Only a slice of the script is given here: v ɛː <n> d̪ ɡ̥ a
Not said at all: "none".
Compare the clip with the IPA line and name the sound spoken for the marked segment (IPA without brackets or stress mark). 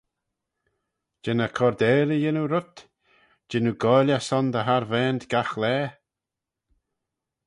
n